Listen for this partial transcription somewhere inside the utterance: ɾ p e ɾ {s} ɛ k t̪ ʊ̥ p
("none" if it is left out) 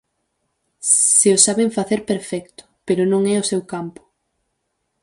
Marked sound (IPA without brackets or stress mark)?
f